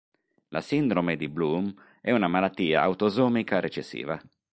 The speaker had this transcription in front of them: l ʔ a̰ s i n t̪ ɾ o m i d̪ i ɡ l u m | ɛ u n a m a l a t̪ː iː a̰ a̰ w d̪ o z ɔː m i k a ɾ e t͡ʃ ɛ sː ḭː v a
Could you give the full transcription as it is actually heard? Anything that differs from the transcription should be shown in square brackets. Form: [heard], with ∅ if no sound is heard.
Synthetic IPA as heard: l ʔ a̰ s i n [d̪] ɾ o m [e] d̪ i [b] l u m | ɛ u n a m a l a t̪ː iː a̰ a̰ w [t̪] o z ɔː m i k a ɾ e t͡ʃ [e] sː ḭː v a